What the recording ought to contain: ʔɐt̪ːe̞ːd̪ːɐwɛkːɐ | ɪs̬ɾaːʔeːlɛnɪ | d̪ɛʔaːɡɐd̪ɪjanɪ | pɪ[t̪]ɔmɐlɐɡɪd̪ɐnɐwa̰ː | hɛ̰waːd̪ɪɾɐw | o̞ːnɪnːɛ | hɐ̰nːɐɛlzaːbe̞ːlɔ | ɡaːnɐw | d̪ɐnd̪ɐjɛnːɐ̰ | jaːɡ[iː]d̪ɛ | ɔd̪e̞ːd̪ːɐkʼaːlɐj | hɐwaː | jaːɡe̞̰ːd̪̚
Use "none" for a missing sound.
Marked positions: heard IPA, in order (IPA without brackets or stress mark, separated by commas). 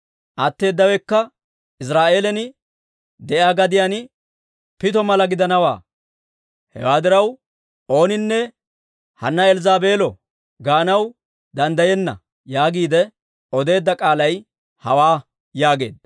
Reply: t̪, iː